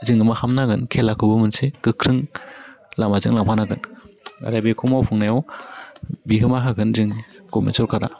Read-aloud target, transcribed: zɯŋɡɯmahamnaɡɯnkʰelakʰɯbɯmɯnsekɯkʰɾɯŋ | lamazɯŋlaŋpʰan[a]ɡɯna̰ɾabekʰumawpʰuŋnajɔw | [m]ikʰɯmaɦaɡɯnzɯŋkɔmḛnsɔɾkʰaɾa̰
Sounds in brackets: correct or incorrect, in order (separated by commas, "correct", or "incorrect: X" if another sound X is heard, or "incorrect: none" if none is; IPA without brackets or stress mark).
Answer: correct, incorrect: b